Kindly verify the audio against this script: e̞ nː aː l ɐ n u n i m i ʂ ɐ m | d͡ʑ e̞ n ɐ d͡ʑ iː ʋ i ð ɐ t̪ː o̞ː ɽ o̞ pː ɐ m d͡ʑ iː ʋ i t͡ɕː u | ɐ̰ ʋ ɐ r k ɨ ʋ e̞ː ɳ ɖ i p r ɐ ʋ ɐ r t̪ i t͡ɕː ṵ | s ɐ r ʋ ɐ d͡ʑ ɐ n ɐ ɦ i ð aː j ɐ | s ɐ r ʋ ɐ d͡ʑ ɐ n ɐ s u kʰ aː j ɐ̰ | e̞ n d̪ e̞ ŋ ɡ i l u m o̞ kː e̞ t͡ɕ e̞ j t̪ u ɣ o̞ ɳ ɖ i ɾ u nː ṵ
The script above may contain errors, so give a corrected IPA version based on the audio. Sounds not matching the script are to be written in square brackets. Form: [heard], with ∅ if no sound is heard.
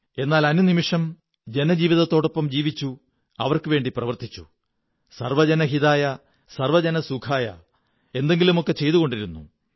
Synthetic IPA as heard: e̞ nː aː l ɐ n u n i m i ʂ ɐ m | d͡ʑ e̞ n ɐ d͡ʑ iː ʋ i ð ɐ t̪ː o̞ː ɽ o̞ pː ɐ m d͡ʑ iː ʋ i t͡ɕː u | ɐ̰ ʋ ɐ r k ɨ ʋ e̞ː ɳ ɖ i p r ɐ ʋ ɐ r t̪ i t͡ɕː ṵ | s ɐ r ʋ ɐ d͡ʑ ɐ n ɐ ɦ i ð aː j ɐ | s ɐ r ʋ ɐ d͡ʑ ɐ n ɐ s u kʰ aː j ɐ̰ | e̞ n d̪ e̞ ŋ ɡ i l u m o̞ kː e̞ t͡ɕ e̞ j t̪ u ɣ o̞ ɳ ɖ i ɾ u nː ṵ